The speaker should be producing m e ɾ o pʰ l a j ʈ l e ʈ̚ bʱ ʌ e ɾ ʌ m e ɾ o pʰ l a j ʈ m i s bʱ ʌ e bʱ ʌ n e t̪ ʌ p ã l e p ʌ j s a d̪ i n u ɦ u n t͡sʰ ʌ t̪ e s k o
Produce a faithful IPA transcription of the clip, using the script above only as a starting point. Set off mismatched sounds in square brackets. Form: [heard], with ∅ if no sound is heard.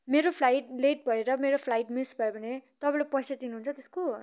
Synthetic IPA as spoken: m e ɾ o pʰ l a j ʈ l e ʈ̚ bʱ ʌ e ɾ ʌ m e ɾ o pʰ l a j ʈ m i s bʱ ʌ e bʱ ʌ n e t̪ ʌ p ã l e p ʌ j s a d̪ i n u ɦ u n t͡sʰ ʌ t̪ e s k o